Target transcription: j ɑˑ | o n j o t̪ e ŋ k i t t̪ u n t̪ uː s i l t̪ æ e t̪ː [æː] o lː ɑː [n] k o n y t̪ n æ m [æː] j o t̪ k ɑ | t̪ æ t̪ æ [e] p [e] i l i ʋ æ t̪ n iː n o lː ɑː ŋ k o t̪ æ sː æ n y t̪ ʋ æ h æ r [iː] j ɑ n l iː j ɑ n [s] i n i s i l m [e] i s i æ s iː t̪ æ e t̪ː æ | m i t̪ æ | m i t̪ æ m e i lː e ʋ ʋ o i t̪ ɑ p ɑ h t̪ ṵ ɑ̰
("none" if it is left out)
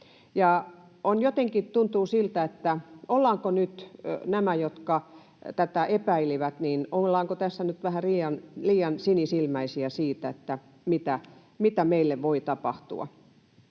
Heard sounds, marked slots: æ, ŋ, æ, e, æ, iː, s, æ

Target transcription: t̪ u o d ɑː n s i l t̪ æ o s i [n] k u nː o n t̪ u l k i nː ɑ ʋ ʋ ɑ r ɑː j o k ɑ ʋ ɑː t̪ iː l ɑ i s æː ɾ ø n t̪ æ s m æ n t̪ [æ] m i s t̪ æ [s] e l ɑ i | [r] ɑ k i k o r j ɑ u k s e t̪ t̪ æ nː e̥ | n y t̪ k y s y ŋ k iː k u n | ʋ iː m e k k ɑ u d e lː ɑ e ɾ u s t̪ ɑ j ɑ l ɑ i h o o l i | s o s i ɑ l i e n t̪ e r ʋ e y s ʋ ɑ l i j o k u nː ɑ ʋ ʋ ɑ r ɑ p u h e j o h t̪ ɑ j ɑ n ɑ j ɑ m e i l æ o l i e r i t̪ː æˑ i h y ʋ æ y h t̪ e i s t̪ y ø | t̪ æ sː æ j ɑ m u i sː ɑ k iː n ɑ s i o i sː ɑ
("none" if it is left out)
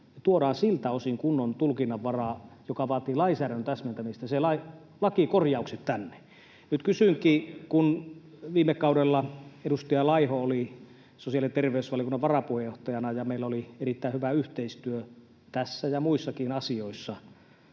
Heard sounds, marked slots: ŋ, æ, s, l

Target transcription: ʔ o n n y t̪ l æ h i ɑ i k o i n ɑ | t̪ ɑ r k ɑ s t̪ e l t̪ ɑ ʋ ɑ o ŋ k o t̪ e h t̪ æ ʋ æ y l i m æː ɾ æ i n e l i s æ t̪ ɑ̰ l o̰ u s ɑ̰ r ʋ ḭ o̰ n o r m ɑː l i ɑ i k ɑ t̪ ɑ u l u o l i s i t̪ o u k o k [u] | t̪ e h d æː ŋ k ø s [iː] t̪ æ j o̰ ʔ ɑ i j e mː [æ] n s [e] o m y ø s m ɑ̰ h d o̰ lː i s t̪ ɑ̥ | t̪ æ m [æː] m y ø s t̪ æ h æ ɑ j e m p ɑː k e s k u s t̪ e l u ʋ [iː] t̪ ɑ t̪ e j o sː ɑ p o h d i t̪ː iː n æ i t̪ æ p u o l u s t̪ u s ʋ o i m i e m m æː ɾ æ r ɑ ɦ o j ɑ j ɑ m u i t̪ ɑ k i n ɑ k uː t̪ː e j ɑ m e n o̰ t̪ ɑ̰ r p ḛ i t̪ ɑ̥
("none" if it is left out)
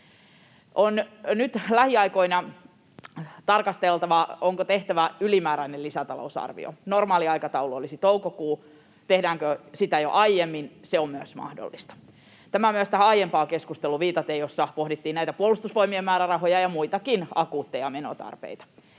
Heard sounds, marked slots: uː, i, i, e, æ, iː

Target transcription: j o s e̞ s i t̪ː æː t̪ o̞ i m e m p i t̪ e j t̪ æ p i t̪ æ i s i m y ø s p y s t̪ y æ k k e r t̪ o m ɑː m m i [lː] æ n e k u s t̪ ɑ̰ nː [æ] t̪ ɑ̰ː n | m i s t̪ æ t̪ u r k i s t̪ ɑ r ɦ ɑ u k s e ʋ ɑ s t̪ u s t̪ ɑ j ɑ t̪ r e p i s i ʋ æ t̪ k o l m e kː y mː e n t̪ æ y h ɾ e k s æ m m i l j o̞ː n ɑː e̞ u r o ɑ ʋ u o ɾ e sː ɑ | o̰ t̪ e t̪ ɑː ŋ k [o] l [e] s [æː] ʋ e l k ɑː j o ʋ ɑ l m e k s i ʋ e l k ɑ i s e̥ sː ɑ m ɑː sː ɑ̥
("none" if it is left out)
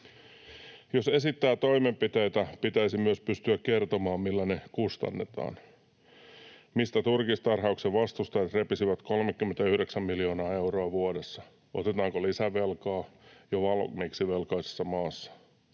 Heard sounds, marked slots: lː, e, o, i, æ

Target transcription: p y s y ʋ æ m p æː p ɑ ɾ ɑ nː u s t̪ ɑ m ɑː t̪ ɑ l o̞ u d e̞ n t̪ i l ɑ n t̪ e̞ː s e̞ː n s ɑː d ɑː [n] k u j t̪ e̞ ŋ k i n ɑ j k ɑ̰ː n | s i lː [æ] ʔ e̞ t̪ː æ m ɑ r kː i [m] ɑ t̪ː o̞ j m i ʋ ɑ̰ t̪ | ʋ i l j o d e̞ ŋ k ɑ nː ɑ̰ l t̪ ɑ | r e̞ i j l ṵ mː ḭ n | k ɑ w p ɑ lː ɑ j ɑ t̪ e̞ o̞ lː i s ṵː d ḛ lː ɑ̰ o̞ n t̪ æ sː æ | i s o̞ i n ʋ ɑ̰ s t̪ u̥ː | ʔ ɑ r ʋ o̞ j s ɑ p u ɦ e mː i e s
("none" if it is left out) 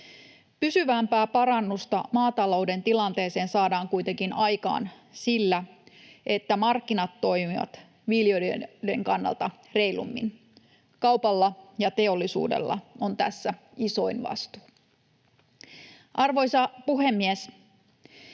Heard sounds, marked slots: ŋ, æ, n

